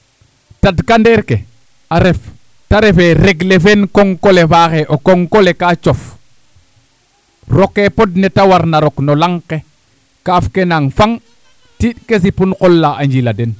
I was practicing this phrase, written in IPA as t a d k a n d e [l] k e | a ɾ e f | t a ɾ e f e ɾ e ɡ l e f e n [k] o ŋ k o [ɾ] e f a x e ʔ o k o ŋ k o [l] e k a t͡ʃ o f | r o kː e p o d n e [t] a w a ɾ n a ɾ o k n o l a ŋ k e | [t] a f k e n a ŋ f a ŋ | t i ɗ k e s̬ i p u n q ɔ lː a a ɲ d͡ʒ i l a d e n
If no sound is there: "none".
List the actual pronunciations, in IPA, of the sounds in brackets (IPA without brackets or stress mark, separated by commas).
ɾ, k, l, l, t, k